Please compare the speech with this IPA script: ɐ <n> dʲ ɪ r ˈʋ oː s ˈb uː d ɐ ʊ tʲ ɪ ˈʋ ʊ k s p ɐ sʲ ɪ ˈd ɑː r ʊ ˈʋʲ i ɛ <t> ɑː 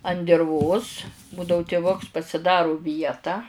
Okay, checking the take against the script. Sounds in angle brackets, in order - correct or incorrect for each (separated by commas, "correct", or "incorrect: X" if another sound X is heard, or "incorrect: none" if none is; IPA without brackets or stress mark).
correct, correct